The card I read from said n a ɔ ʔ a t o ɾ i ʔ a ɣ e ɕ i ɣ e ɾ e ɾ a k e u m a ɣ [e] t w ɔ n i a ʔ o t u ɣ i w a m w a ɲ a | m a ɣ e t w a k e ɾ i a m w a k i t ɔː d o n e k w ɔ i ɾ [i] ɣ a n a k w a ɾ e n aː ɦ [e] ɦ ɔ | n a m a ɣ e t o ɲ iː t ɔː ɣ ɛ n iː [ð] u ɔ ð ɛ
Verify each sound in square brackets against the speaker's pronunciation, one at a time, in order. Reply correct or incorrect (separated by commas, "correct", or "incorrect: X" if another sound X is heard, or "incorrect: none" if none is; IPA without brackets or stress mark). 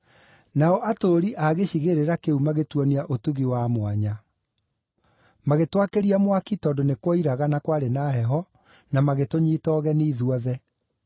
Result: correct, incorrect: a, incorrect: ɛ, correct